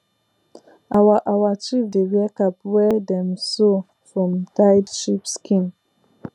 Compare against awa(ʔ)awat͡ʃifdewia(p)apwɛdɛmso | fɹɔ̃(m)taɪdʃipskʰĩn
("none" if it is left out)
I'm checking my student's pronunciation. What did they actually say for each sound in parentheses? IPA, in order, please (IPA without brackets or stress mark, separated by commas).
ʔ, k, m